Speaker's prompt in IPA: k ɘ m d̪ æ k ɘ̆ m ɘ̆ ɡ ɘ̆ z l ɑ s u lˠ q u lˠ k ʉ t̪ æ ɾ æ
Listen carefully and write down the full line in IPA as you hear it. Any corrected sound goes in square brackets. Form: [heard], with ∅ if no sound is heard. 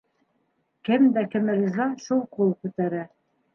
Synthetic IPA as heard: k ɘ m d̪ æ k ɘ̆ m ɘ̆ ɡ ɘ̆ z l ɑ [ʃ] u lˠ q u lˠ k ʉ t̪ æ ɾ æ